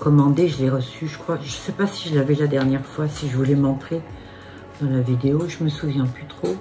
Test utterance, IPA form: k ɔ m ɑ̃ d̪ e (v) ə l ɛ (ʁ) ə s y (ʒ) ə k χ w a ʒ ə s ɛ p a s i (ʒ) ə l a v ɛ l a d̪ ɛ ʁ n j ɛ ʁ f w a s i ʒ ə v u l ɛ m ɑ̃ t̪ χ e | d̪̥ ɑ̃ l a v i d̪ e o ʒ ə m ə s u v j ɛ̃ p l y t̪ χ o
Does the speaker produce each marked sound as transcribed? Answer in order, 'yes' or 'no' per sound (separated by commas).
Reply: no, yes, yes, yes